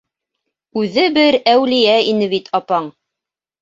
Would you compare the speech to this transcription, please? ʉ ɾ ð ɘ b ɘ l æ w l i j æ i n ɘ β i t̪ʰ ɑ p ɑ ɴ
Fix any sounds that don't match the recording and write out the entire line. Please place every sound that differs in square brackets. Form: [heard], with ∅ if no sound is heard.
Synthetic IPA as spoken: ʉ [∅] ð ɘ b ɘ [ɾ] æ w l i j æ i n ɘ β i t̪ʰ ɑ p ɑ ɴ